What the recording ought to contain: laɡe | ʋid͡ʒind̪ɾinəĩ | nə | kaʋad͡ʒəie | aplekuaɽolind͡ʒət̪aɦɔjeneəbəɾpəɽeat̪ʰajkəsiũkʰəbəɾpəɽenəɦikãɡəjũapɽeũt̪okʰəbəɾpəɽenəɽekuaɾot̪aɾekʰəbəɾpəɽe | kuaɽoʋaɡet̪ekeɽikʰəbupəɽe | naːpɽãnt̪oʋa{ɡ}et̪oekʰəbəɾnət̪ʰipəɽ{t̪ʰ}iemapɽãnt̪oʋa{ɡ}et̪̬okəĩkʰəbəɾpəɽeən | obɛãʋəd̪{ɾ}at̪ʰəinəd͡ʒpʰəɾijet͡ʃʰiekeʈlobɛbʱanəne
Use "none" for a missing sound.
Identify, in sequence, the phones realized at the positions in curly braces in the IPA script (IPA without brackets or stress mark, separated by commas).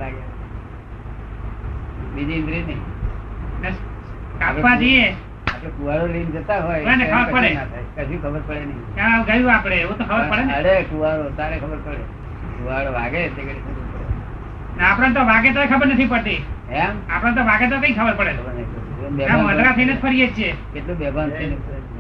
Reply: ɡ, t̪, ɡ, ɾ